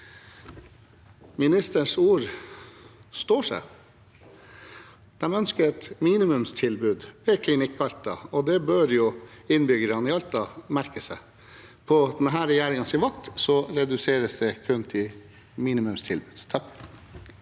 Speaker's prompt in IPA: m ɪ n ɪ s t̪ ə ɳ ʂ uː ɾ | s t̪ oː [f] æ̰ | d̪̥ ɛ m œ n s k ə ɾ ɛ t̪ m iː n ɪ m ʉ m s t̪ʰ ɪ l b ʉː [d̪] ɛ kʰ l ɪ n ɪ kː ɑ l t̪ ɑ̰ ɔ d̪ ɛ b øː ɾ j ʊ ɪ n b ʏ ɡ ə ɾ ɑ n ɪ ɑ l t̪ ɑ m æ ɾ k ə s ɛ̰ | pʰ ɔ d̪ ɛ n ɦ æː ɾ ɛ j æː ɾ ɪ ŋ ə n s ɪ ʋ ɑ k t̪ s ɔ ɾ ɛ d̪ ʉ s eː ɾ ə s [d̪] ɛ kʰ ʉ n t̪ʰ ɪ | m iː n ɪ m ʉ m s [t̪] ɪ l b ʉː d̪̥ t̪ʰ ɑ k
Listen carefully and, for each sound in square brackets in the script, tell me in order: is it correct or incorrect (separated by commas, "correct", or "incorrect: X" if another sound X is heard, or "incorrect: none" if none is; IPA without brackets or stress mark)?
incorrect: ʂ, correct, correct, incorrect: t̪ʰ